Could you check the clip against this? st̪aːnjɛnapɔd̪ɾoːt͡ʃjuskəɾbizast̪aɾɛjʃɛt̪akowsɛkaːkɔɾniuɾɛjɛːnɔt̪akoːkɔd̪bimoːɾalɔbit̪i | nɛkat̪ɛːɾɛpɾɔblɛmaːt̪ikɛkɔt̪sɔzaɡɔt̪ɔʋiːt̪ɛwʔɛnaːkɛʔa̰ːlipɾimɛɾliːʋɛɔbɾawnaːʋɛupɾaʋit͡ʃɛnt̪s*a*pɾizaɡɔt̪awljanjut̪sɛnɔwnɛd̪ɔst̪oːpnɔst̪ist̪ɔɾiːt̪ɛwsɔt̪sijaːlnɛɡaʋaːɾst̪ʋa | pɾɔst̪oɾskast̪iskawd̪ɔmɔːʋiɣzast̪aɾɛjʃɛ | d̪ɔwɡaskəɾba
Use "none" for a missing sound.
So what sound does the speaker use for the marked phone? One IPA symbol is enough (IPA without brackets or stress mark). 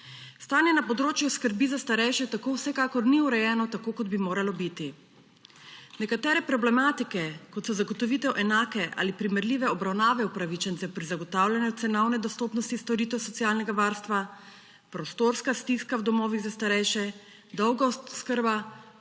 ɛ